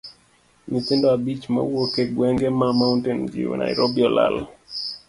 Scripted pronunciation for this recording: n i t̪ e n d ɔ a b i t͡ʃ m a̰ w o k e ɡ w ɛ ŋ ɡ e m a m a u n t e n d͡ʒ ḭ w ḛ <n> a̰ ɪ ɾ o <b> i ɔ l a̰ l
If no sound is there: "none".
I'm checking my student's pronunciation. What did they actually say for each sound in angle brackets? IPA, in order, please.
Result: n, b

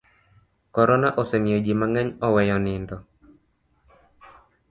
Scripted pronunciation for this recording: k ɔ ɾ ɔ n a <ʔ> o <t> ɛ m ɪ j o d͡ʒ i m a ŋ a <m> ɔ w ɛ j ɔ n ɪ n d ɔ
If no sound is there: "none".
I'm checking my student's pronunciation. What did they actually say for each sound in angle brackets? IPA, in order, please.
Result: ʔ, s, ɲ

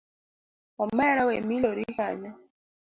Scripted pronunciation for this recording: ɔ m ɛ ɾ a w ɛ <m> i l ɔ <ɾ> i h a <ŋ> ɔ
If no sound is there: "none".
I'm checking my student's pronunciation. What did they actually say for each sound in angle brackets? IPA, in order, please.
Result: m, ɾ, ɲ

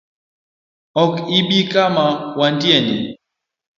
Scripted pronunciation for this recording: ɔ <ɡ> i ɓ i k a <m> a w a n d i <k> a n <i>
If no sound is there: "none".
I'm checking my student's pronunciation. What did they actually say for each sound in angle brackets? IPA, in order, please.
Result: k, m, none, i

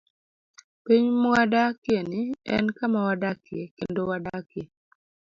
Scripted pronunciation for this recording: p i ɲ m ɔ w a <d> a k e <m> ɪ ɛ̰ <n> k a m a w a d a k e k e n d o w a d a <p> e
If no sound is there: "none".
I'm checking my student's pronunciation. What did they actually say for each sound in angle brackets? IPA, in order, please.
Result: d, n, n, k

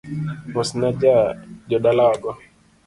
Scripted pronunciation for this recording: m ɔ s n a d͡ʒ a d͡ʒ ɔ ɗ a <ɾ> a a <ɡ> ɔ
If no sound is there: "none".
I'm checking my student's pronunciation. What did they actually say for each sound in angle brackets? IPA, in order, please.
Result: l, ɡ

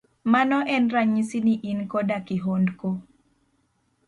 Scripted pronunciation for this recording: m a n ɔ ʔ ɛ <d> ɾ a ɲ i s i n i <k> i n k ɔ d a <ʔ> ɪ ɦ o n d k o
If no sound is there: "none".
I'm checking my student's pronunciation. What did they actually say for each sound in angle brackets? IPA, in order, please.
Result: n, ʔ, k

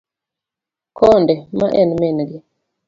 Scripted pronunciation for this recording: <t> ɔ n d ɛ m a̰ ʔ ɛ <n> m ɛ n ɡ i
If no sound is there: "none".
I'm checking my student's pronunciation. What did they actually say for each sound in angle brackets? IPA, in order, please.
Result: k, n

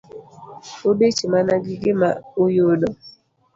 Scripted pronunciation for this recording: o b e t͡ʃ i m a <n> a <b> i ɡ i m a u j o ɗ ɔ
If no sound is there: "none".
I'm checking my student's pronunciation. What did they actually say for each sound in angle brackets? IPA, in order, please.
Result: n, ɡ

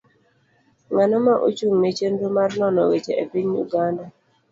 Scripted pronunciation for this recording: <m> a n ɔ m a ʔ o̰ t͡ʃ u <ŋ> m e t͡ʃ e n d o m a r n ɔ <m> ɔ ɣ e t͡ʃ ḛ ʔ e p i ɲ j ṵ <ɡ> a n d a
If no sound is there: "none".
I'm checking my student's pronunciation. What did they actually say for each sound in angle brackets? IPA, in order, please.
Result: ŋ, ŋ, n, ɡ

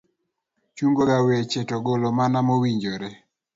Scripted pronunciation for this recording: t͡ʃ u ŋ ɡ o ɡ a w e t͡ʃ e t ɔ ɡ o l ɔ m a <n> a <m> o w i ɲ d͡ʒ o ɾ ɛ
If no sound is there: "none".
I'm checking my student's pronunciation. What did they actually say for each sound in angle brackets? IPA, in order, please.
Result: n, m

